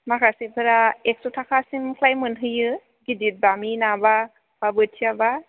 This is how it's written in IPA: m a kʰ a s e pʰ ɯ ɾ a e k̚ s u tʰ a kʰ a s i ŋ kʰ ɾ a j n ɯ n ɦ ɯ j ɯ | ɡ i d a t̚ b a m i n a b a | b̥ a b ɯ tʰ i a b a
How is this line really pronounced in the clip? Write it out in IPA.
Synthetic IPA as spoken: m a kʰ a s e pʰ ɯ ɾ a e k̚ s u tʰ a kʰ a s i m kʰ l a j m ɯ n ɦ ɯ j ɯ | ɡ i d i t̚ b a m i n a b a | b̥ a b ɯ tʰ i a b a